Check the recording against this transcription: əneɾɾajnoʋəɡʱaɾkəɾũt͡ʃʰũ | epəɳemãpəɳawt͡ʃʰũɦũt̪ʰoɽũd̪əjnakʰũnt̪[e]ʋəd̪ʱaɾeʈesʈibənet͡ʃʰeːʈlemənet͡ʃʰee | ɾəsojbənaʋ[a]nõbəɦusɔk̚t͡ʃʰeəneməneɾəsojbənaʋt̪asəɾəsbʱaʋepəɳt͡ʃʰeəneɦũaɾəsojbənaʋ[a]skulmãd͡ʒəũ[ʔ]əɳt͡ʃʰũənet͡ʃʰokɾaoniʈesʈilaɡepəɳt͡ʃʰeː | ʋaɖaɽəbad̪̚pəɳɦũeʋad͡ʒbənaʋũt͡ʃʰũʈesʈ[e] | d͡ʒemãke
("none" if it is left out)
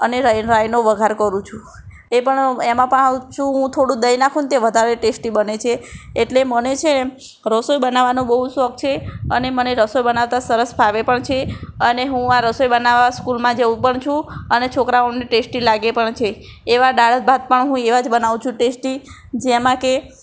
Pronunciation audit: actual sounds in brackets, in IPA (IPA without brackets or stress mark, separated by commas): e, a, a, p, i